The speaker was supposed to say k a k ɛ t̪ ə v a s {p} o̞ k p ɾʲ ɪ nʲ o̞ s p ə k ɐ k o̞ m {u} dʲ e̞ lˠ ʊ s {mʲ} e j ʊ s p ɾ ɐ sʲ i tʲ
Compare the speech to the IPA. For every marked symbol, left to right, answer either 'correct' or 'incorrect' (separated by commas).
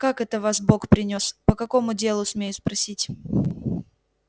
incorrect, incorrect, correct